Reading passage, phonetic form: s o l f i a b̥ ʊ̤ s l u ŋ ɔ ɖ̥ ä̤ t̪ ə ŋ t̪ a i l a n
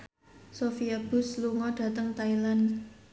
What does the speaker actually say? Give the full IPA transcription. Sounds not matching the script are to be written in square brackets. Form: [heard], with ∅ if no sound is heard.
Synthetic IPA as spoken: s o [∅] f i a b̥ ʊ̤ s l u ŋ ɔ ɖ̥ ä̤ t̪ ə ŋ t̪ a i l a n

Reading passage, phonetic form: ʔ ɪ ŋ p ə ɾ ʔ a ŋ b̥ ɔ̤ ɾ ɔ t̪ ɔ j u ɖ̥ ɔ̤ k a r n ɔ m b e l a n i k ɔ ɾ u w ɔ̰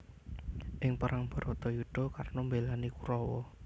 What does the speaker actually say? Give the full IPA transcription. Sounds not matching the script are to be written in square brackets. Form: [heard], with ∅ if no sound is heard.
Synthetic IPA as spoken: ʔ ɪ ŋ p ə ɾ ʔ a ŋ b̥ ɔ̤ ɾ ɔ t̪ ɔ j u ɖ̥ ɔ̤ k a r n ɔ m b e l a n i k [u] ɾ [ɔ] w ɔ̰

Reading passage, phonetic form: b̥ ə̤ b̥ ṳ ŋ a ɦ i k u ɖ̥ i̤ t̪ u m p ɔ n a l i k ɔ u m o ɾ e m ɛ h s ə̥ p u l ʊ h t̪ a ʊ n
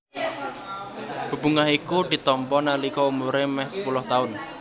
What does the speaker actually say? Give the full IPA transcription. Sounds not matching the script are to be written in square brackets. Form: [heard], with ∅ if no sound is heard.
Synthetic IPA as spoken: b̥ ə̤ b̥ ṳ ŋ a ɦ i k u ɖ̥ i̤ t̪ [ɔ] m p ɔ n a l i k ɔ u m [u] ɾ e m ɛ h s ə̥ p u l ʊ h t̪ a ʊ n

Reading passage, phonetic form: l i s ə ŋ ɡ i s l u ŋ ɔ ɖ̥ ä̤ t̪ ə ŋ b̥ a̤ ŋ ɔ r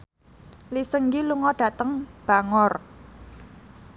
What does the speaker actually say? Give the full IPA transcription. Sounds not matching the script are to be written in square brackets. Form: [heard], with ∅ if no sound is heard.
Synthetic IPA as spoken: l i s ə ŋ ɡ i [∅] l u ŋ ɔ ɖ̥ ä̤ t̪ ə ŋ b̥ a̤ ŋ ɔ r

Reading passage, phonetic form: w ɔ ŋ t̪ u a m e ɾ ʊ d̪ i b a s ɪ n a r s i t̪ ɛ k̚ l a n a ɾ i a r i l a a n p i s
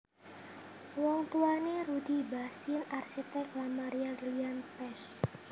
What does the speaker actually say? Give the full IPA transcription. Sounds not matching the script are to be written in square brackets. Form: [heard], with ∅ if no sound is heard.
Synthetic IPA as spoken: w ɔ ŋ t̪ u a [n] e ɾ [u] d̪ i b a s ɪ n a r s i t̪ ɛ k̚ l a [m] a ɾ i a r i l [i] a n p [ɛ] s

